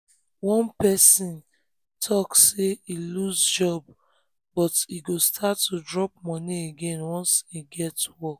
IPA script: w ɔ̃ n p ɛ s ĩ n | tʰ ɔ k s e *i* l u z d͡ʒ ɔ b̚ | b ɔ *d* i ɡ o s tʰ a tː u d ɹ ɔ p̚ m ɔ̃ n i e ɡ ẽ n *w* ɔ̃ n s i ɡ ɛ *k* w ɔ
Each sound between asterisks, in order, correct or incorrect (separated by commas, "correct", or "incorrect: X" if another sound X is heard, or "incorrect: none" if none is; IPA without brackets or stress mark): correct, incorrect: t, correct, incorrect: t